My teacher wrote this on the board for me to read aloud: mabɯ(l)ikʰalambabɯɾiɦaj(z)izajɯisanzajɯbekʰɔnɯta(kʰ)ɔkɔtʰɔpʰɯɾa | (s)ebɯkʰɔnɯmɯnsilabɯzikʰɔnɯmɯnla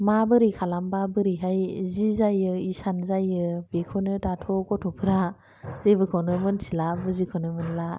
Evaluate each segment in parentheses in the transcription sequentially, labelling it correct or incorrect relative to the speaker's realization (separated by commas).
incorrect, correct, incorrect, incorrect